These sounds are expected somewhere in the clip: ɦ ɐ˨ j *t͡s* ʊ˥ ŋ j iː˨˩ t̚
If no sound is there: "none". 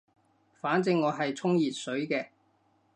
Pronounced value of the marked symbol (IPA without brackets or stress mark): t͡sʰ